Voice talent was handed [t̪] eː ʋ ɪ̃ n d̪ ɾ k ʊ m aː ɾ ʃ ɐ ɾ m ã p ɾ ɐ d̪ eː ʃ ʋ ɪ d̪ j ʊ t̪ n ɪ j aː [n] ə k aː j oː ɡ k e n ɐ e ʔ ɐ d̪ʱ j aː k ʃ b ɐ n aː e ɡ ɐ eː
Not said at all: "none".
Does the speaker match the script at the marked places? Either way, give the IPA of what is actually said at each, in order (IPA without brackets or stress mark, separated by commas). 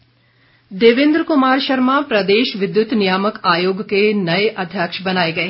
d̪, m